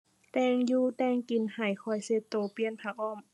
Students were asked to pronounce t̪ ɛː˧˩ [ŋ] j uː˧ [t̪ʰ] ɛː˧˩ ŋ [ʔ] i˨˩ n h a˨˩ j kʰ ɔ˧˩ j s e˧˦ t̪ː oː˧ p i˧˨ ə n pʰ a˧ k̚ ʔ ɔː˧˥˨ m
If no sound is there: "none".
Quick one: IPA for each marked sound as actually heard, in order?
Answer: ŋ, t̪, k

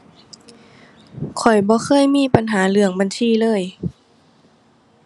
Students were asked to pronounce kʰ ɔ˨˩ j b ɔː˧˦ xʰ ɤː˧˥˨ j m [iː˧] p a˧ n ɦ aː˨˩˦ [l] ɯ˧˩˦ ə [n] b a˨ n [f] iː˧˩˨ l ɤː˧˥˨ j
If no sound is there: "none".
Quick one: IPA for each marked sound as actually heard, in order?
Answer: iː˥˨, l, ŋ, s

